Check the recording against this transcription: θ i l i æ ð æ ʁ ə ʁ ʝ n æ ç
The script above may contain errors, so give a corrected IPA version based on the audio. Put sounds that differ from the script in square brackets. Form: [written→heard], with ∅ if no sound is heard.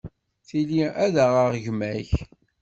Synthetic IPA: θ i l i æ ð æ ʁ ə ʁ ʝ [n→m] æ ç